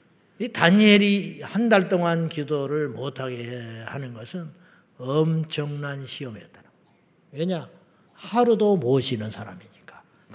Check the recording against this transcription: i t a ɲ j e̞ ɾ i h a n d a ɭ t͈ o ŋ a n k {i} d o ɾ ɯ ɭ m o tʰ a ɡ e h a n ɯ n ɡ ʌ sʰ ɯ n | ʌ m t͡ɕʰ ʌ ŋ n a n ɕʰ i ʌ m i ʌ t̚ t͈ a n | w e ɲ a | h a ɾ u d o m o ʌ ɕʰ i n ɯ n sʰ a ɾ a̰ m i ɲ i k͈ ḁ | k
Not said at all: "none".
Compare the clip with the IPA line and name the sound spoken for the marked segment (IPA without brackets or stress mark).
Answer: i